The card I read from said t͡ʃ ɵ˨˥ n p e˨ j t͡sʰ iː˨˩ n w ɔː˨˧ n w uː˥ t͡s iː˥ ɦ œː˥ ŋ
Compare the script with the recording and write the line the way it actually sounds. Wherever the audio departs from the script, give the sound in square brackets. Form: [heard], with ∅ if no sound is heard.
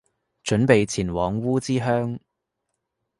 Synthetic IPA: t͡ʃ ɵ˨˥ n p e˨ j t͡sʰ iː˨˩ n w ɔː˨˧ [ŋ] w uː˥ t͡s iː˥ ɦ œː˥ ŋ